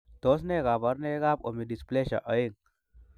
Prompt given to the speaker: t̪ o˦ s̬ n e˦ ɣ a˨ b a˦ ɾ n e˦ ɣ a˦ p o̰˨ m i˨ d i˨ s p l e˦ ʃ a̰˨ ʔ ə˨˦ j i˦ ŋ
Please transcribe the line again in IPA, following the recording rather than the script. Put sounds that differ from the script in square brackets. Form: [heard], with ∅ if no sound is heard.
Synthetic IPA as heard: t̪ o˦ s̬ n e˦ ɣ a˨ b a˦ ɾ n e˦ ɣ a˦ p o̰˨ m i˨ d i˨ s p l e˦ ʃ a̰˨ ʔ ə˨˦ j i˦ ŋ

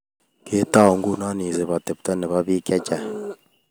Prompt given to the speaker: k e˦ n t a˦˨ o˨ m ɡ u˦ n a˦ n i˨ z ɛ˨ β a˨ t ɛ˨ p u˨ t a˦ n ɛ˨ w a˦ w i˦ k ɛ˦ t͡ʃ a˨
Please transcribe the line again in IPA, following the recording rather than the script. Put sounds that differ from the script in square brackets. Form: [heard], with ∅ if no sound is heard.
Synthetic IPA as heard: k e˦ [∅] t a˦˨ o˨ [ŋ] ɡ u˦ n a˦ n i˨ z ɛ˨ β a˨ t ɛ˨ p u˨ t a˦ n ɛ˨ [β] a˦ [β] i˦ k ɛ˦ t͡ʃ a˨

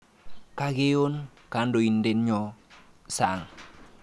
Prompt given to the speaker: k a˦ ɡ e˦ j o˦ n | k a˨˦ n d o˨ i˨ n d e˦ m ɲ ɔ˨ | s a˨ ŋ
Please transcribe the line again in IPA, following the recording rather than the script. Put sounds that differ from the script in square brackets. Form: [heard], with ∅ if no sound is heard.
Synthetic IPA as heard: k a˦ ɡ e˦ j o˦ n | k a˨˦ n d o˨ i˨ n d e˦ [n] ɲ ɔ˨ | s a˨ ŋ

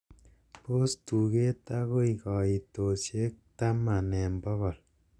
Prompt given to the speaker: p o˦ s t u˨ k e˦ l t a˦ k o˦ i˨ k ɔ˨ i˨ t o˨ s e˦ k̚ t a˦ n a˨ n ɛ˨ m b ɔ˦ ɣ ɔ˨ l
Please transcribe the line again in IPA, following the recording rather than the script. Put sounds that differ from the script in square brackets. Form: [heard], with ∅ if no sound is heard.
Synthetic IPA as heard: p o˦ s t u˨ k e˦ [∅] t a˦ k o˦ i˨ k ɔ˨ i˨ t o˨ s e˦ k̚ t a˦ [m] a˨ n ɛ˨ m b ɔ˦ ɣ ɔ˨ l

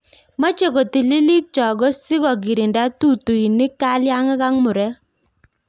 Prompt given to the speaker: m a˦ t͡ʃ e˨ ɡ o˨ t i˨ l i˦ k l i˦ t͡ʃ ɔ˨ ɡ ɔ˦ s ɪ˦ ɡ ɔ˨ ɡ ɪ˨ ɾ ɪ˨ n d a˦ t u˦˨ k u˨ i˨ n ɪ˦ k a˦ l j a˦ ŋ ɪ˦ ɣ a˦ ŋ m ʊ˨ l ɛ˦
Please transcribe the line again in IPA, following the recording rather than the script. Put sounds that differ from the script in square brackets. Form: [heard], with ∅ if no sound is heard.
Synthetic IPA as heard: m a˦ t͡ʃ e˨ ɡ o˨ t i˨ l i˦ [∅] l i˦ t͡ʃ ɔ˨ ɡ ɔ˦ s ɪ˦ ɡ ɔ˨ ɡ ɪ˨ ɾ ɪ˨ n d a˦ t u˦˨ [t] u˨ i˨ n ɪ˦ k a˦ l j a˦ ŋ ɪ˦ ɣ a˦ ŋ m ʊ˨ [ɾ] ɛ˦

